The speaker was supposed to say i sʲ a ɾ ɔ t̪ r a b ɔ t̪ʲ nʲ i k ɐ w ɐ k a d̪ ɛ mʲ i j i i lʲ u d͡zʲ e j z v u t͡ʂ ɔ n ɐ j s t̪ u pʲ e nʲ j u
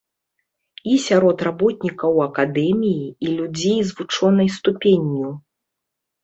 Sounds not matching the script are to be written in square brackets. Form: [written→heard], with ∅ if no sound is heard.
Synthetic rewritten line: i sʲ a ɾ ɔ t̪ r a b ɔ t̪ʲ nʲ i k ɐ w ɐ k a d̪ ɛ mʲ i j i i lʲ u d͡zʲ e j z v u t͡ʂ ɔ n ɐ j s t̪ u pʲ e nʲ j u

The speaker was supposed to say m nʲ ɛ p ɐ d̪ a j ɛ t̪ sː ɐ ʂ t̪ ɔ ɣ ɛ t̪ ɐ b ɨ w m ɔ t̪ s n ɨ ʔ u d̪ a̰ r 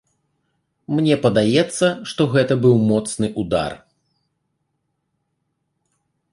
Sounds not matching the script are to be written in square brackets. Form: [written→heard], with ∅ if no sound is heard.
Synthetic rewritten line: m nʲ ɛ p ɐ d̪ a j ɛ t̪ sː ɐ ʂ t̪ ɔ ɣ ɛ t̪ ɐ b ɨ w m ɔ t̪ s n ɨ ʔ u d̪ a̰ r

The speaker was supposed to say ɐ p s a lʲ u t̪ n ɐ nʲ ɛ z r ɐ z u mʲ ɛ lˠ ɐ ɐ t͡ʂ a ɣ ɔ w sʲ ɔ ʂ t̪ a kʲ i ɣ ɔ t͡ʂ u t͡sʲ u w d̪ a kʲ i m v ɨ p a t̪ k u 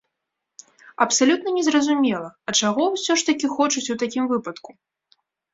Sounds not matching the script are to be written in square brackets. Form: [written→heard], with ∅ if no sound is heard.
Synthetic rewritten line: ɐ p s a lʲ u t̪ n ɐ nʲ ɛ z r ɐ z u mʲ ɛ lˠ ɐ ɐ t͡ʂ a ɣ ɔ w sʲ ɔ ʂ t̪ [a→ɐ] kʲ i [ɣ→x] ɔ t͡ʂ u t͡sʲ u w [d̪→t̪] a kʲ i m v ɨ p [a→ɐ] t̪ k u

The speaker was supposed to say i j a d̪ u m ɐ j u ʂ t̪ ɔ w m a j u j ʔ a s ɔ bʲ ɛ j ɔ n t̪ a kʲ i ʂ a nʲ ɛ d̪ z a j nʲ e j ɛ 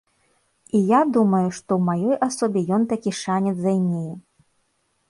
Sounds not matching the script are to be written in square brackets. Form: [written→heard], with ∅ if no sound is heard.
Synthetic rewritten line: i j a d̪ u m ɐ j u ʂ t̪ ɔ w m a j [u→ɔ] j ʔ a s ɔ bʲ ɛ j ɔ n t̪ a kʲ i ʂ a nʲ ɛ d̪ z a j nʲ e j ɛ

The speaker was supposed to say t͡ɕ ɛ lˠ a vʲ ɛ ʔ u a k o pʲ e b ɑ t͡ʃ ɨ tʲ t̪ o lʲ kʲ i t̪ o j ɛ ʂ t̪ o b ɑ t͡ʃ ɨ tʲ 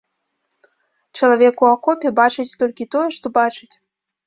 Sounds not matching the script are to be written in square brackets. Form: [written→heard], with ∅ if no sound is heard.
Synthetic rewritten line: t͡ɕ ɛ lˠ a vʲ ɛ [ʔ→k] u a k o pʲ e b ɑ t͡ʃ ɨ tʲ t̪ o lʲ kʲ i t̪ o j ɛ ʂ t̪ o b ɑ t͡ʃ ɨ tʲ

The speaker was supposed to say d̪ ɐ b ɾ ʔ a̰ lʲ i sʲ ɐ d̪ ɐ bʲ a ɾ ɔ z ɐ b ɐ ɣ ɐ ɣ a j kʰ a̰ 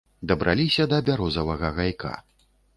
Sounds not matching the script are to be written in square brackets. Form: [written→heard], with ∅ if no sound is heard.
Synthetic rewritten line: d̪ ɐ b ɾ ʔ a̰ lʲ i sʲ ɐ d̪ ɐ bʲ a ɾ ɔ z ɐ [b→v] ɐ ɣ ɐ ɣ a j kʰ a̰

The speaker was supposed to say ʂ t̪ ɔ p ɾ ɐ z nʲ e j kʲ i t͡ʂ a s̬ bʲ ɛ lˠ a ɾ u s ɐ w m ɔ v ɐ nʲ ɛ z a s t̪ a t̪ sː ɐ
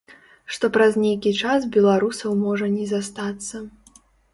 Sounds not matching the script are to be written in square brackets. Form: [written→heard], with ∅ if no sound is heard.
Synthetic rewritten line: ʂ t̪ ɔ p ɾ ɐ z nʲ e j kʲ i t͡ʂ a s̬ bʲ ɛ lˠ a ɾ u s ɐ w m ɔ [v→ʐ] ɐ nʲ ɛ z a s t̪ a t̪ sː ɐ

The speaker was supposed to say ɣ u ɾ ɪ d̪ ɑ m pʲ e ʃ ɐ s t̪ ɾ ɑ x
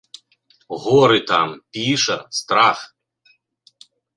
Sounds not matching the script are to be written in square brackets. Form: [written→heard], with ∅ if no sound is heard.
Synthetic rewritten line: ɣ [u→ɔ] ɾ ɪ [d̪→t̪] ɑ m pʲ [e→i] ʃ ɐ s t̪ ɾ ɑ x

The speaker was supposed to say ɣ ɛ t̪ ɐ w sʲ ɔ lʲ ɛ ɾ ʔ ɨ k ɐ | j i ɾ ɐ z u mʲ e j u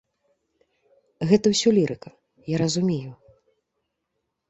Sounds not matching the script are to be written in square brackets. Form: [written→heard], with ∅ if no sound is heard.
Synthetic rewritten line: ɣ ɛ t̪ ɐ w sʲ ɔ lʲ [ɛ→i] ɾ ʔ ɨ k ɐ | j [i→a] ɾ ɐ z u mʲ e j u

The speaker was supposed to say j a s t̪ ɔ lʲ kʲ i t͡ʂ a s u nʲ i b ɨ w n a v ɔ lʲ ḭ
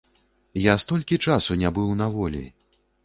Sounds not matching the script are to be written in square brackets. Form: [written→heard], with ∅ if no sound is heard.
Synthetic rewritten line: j a s t̪ ɔ lʲ kʲ i t͡ʂ a s u nʲ [i→a] b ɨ w n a v ɔ lʲ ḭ

